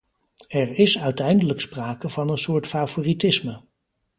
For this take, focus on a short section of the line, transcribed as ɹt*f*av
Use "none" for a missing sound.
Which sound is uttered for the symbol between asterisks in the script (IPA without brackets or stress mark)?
f